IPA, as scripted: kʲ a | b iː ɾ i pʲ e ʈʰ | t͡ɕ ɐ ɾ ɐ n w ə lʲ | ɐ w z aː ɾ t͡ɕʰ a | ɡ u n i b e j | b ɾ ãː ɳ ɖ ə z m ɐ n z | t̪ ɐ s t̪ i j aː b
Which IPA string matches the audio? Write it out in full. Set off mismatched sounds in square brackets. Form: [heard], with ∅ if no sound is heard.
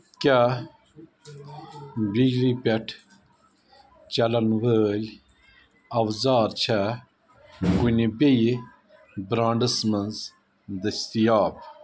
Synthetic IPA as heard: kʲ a | b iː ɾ i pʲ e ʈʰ | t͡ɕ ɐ [l] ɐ n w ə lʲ | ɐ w z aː ɾ t͡ɕʰ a | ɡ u n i b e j | b ɾ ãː ɳ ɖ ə [s] m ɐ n z | [d̪] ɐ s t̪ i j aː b